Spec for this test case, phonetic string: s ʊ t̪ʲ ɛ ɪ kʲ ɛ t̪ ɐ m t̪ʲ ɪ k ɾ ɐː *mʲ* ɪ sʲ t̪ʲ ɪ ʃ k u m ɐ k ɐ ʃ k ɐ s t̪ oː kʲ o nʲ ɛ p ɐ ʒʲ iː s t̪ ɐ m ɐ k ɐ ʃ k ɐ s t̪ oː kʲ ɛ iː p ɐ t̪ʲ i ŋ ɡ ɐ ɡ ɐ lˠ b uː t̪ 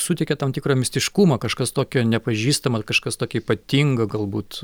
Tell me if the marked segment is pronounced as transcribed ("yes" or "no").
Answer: yes